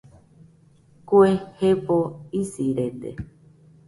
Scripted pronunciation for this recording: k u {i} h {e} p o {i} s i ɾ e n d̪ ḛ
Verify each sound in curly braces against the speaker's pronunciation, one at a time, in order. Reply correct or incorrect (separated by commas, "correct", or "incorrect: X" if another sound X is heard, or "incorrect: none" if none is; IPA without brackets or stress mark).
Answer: incorrect: e, correct, correct